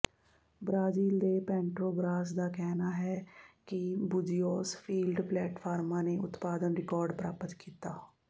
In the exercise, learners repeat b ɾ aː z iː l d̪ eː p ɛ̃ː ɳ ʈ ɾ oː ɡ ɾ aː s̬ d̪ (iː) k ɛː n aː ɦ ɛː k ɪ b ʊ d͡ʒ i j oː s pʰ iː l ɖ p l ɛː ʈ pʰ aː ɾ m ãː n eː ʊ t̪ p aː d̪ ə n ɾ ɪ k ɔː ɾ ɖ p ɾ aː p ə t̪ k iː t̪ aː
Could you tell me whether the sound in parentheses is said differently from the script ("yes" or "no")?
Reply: yes